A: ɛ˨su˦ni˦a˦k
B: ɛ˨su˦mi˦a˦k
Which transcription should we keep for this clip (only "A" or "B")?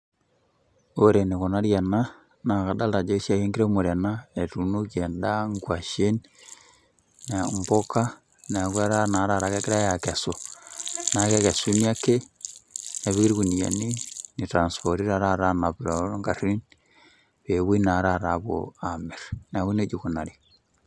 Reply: A